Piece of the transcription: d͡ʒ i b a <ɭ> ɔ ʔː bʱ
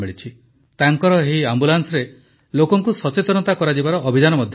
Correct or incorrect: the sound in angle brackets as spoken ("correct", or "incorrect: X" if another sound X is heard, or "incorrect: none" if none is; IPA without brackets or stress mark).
incorrect: ɾ